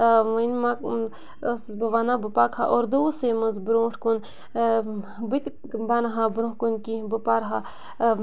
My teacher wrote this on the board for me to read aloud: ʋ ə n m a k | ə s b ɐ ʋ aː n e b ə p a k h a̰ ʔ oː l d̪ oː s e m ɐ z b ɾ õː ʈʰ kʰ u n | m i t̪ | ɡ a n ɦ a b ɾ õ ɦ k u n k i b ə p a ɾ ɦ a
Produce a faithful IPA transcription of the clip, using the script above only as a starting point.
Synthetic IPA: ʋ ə n m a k | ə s b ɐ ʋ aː n a b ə p a k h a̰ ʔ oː ɾ d̪ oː s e m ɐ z b ɾ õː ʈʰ k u n | b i t̪ | b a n ɦ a b ɾ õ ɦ k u n k i b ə p a ɾ ɦ a